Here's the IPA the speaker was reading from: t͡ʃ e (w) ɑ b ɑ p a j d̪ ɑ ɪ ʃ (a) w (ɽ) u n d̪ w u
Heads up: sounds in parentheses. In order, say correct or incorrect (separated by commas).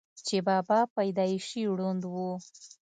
incorrect, incorrect, correct